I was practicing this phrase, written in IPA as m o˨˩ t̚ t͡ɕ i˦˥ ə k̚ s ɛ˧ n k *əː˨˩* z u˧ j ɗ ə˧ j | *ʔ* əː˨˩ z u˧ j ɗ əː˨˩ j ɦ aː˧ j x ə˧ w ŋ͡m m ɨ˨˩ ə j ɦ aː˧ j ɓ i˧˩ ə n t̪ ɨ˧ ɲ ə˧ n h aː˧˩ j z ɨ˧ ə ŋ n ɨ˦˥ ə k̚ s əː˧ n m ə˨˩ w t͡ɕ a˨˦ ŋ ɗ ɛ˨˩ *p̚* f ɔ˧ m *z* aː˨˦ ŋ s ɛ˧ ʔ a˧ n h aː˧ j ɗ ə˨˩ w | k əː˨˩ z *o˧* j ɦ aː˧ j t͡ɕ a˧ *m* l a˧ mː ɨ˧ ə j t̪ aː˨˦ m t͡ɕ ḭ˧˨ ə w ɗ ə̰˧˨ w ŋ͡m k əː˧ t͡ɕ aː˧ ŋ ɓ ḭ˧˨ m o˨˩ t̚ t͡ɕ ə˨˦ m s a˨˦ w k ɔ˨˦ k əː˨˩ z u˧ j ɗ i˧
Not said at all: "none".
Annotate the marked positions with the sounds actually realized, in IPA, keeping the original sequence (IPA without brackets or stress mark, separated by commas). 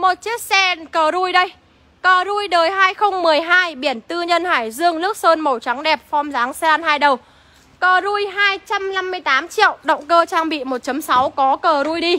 əː˨˩, k, p̚, z, u˧, m